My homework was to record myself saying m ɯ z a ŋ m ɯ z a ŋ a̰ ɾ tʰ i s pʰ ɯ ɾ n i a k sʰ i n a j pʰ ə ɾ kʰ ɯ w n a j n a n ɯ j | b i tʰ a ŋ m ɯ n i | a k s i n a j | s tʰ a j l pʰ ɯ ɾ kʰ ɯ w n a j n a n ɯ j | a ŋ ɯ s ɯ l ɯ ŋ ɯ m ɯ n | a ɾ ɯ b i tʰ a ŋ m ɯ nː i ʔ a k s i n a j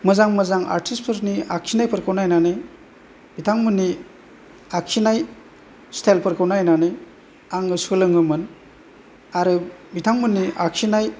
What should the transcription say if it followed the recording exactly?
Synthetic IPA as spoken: m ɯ z a ŋ m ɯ z a ŋ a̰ ɾ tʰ i s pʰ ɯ ɾ n i a k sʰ i n a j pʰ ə ɾ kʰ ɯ w n a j n a n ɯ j | b i tʰ a ŋ m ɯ n i | a k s i n a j | s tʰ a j l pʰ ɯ ɾ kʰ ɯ w n a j n a n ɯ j | a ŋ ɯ s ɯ l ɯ ŋ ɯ m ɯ n | a ɾ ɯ b i tʰ a ŋ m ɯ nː i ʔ a k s i n a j